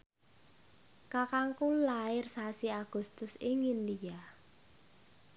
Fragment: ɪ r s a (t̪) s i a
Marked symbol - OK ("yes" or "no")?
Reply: no